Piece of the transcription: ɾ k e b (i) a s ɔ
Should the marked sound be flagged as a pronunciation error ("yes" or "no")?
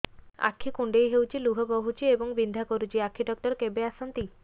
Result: yes